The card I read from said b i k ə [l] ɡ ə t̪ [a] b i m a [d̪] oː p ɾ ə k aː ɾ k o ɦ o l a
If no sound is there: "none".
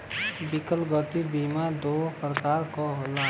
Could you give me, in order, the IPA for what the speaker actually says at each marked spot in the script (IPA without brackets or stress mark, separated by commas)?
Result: l, i, d̪